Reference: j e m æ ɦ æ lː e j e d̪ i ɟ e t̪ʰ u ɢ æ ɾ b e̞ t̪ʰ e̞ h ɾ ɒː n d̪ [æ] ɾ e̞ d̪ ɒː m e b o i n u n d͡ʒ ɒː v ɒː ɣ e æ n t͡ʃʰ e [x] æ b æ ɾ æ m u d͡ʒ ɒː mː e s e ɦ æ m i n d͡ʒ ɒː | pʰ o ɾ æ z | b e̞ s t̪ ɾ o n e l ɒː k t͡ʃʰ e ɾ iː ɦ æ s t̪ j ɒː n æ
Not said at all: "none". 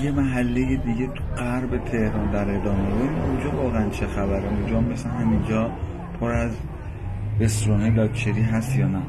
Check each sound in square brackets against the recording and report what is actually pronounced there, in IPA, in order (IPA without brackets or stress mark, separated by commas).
æ, x